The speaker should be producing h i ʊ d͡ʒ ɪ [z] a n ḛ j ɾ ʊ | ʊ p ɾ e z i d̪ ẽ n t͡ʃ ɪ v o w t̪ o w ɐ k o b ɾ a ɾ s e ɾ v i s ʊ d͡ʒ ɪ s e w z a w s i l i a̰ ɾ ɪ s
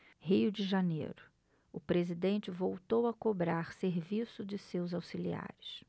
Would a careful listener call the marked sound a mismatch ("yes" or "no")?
yes